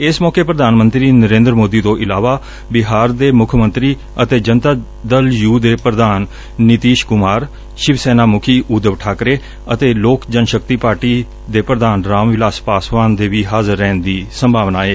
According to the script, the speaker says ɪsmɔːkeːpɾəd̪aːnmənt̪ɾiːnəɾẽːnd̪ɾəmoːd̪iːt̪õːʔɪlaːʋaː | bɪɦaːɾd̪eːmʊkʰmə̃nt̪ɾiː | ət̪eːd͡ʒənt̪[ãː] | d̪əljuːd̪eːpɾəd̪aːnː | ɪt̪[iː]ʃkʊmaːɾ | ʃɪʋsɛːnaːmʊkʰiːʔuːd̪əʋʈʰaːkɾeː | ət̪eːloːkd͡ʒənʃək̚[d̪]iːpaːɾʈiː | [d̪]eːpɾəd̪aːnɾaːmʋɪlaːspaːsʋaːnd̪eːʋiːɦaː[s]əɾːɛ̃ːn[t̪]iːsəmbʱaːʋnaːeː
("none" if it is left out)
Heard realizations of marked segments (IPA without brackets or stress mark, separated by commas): aː, iː, t̪, d̪, z, d̪